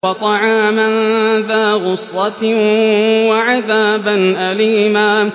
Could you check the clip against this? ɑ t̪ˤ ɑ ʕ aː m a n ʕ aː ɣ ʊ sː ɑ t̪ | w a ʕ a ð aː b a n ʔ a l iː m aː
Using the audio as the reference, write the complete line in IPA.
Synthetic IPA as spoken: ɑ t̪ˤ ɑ ʕ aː m a n ð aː ɣ ʊ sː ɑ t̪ | w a ʕ a ð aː b a n ʔ a l iː m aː

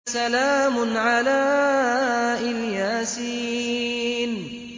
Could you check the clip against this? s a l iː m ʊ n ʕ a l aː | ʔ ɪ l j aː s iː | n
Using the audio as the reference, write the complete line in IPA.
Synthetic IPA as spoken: s a l aː m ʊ n ʕ a l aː | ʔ ɪ l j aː s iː | n

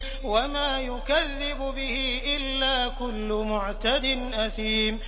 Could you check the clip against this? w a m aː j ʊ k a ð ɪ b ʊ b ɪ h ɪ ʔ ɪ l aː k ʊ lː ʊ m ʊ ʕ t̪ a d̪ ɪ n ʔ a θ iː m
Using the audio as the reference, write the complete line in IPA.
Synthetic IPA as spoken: w a m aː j ʊ k a ðː ɪ b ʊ b ɪ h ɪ ʔ ɪ lː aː k ʊ lː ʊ m ʊ ʕ t̪ a d̪ ɪ n ʔ a θ iː m

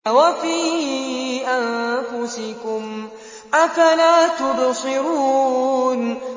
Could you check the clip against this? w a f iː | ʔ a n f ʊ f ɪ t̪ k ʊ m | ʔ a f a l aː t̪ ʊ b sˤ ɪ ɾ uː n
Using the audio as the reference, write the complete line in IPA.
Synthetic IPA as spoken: w a f iː | ʔ a n f ʊ s ɪ k ʊ m | ʔ a f a l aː t̪ ʊ b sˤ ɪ ɾ uː n

